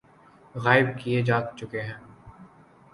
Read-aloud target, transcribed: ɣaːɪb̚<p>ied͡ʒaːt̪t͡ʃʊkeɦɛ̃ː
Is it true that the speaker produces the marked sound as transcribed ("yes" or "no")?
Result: no